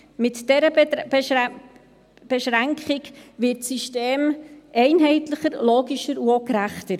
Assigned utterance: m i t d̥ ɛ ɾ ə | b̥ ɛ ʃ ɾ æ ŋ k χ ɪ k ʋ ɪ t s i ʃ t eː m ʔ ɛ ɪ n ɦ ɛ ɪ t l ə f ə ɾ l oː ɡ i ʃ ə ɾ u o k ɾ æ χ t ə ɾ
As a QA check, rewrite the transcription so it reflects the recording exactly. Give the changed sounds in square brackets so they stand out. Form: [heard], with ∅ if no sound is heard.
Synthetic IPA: m [ɪ] t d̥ ɛ ɾ ə | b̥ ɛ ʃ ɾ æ ŋ k χ ɪ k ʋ ɪ t s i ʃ t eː m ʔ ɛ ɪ n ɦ ɛ ɪ t l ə [χ] ə ɾ l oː ɡ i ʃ ə ɾ u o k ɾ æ χ t ə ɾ